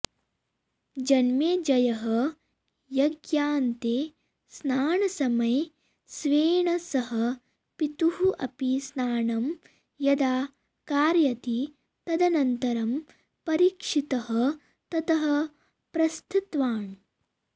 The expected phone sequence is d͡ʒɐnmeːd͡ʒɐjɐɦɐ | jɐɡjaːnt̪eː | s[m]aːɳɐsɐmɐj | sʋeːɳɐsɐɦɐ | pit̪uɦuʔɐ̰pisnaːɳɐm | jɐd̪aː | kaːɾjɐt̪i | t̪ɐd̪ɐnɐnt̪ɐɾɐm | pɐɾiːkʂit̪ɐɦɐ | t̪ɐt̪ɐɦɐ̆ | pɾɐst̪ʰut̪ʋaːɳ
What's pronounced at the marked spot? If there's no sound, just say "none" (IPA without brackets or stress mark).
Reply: n